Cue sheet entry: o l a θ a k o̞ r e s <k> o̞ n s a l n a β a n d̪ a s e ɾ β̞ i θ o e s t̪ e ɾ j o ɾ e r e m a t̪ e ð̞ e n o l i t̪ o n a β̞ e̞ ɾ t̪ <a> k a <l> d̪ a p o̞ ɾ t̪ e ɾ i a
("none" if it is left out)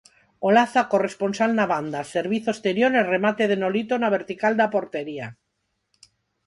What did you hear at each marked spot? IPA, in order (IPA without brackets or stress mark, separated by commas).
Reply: p, i, l